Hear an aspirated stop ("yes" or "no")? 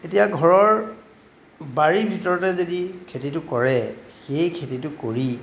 yes